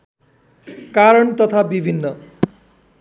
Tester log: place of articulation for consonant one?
velar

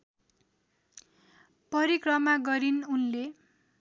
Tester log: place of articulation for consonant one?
labial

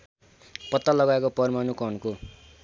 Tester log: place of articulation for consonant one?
labial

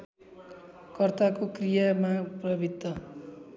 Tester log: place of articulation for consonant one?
velar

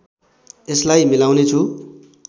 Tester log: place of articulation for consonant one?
alveolar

